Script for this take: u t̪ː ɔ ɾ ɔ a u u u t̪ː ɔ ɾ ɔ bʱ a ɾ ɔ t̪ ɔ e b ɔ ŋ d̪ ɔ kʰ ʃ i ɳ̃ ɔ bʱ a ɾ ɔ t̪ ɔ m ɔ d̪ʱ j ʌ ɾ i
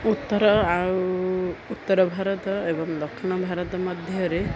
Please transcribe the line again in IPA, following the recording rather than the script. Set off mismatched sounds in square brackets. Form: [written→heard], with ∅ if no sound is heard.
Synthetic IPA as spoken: u t̪ː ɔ ɾ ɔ a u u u t̪ː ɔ ɾ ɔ bʱ a ɾ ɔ t̪ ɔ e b ɔ ŋ d̪ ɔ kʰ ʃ i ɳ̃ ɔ bʱ a ɾ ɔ t̪ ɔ m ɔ d̪ʱ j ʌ ɾ [i→e]